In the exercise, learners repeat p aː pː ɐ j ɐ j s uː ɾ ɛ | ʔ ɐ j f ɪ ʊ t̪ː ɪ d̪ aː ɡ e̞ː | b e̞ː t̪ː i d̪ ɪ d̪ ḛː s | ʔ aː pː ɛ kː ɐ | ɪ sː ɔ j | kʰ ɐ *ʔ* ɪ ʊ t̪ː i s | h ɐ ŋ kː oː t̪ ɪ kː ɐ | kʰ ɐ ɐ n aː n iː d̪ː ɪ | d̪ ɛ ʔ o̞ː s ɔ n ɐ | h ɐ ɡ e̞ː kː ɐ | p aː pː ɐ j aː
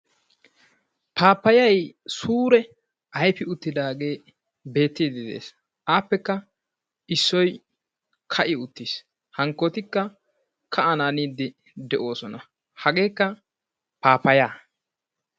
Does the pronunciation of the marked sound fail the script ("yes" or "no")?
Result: no